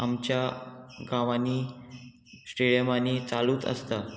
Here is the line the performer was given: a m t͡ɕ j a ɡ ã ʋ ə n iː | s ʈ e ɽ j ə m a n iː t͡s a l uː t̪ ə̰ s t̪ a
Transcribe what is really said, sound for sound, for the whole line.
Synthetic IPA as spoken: a m t͡ɕ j a ɡ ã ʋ a n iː | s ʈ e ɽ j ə m a n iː t͡s a l uː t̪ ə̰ s t̪ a